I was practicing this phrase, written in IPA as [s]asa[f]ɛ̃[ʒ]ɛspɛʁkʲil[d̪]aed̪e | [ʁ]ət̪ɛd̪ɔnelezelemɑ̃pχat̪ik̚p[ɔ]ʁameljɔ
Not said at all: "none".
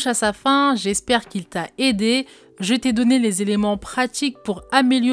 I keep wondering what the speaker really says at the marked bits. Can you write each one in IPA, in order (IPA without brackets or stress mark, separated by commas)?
ʃ, f, ʒ, t̪, ʒ, u